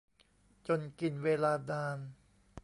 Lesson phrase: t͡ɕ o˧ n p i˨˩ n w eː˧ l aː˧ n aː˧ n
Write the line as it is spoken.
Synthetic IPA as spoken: t͡ɕ o˧ n k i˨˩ n w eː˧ l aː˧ d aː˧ n